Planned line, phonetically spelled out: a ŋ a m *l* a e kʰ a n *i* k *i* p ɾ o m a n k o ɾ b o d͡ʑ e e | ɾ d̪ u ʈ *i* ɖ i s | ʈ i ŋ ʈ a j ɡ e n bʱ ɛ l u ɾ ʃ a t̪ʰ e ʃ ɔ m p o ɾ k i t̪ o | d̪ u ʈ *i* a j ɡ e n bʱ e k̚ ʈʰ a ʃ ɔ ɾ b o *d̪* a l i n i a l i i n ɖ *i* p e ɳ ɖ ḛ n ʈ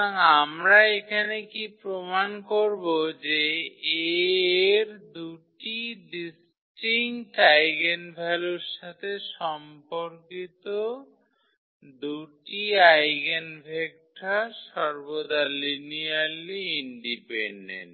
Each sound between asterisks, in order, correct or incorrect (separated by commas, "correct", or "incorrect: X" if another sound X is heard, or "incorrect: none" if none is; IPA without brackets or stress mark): incorrect: ɾ, incorrect: e, correct, correct, correct, correct, correct